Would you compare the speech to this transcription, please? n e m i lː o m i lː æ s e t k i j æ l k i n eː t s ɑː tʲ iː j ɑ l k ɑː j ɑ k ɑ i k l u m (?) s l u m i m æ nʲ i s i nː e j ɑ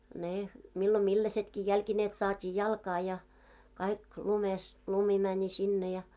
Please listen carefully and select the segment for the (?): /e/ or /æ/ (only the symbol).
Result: e